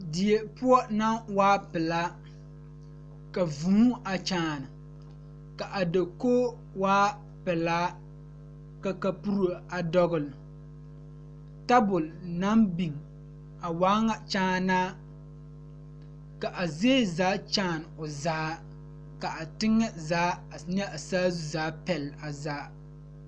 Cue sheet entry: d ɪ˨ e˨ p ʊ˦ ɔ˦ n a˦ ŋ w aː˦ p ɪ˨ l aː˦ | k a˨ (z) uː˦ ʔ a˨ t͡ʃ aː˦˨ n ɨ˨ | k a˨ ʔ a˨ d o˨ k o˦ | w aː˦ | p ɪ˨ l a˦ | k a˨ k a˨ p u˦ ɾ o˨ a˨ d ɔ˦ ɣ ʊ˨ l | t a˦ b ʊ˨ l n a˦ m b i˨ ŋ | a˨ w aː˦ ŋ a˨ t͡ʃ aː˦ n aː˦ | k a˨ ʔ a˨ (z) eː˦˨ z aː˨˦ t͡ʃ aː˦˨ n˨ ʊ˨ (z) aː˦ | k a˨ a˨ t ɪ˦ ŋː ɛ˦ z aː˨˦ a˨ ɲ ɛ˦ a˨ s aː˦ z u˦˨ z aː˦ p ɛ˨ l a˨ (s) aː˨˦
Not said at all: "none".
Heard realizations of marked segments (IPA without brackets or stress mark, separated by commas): v, z, z, z